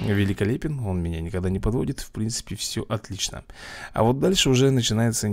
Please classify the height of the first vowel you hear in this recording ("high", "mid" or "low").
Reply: high